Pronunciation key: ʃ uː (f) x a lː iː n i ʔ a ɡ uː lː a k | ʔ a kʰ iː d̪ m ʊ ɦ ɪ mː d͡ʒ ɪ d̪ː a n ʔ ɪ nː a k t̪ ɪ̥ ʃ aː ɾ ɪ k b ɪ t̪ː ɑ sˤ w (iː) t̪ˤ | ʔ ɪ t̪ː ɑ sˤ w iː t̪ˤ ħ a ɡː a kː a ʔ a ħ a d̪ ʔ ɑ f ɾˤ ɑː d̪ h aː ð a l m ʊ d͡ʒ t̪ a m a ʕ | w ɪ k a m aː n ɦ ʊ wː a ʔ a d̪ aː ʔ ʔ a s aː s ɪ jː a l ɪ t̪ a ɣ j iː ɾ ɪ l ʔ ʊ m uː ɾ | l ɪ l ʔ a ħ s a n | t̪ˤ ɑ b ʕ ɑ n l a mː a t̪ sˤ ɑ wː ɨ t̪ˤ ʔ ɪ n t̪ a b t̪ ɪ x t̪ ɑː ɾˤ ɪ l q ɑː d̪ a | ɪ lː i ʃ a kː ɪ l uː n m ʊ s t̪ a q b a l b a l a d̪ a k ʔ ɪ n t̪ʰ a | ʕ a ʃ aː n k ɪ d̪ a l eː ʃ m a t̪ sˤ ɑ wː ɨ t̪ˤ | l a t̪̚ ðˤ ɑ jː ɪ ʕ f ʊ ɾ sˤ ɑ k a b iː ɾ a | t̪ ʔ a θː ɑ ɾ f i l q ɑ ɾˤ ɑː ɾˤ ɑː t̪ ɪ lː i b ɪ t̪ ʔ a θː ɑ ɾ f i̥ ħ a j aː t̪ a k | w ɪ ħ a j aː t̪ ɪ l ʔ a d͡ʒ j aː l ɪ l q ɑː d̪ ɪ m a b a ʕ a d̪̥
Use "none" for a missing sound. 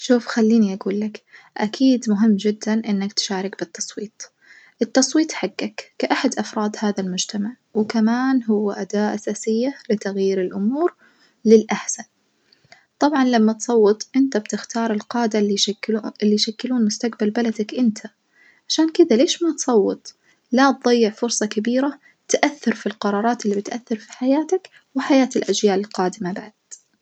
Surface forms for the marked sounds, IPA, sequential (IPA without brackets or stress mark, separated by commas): f, iː